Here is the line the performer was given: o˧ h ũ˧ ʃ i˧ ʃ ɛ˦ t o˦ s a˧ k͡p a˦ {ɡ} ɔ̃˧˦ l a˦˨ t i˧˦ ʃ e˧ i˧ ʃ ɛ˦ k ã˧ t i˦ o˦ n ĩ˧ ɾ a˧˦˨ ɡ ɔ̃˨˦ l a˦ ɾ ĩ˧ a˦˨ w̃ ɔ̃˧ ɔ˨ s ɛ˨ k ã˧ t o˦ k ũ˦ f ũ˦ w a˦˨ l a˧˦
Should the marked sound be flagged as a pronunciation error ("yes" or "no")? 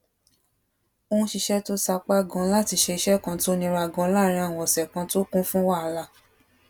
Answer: no